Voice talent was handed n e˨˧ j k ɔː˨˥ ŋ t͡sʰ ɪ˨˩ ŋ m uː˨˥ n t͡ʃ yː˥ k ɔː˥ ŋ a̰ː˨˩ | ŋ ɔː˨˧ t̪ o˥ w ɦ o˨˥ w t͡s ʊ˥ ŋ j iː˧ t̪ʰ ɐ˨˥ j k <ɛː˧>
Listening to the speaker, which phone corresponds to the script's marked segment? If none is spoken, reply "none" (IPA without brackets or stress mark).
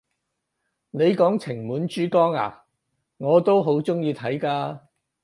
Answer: aː˧